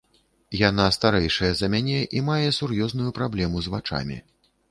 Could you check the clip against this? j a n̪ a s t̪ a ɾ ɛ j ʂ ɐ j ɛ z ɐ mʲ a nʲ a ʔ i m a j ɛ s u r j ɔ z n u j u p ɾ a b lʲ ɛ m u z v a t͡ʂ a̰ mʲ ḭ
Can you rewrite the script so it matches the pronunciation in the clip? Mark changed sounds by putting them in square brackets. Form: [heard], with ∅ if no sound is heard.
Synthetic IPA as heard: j a n̪ a s t̪ a ɾ ɛ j ʂ ɐ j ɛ z ɐ mʲ a nʲ [ɛ] ʔ i m a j ɛ s u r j ɔ z n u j u p ɾ a b lʲ ɛ m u z v a t͡ʂ a̰ mʲ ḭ